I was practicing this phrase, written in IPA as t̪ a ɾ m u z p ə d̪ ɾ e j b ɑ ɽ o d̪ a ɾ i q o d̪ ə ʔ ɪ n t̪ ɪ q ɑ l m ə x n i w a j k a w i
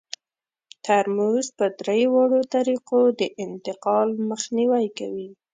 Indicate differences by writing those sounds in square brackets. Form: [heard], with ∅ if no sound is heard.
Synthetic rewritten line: t̪ a ɾ m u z p ə d̪ ɾ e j [w] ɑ ɽ o [t̪] a ɾ i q o d̪ ə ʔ ɪ n t̪ ɪ q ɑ l m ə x n i w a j k a w i